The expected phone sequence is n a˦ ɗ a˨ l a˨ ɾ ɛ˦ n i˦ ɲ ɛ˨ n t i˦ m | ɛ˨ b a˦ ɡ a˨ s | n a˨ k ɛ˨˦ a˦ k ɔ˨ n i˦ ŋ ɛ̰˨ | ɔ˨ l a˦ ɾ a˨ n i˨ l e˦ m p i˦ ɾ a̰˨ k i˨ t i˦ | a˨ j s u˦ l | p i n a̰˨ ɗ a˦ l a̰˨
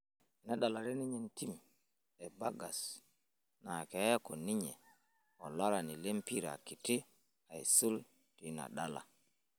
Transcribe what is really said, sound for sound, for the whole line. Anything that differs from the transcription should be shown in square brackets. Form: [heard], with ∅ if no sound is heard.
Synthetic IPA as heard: n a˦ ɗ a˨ l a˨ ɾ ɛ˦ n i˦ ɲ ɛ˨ n t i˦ m | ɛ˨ b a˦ ɡ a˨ s | n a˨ k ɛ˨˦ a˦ k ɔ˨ n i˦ [ɲ] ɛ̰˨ | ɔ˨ l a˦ ɾ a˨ n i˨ l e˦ m p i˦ ɾ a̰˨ k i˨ t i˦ | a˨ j s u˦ l | [t] i n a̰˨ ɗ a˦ l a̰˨